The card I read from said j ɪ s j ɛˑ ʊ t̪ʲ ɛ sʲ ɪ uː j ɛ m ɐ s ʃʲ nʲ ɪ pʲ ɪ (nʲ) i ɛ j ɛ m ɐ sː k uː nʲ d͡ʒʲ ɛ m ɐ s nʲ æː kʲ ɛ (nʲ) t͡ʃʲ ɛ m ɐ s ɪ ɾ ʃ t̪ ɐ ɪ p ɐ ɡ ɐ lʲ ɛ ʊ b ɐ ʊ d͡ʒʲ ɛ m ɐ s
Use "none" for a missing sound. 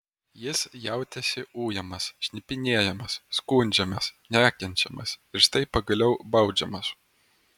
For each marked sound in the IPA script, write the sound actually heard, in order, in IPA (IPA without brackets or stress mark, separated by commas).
nʲ, nʲ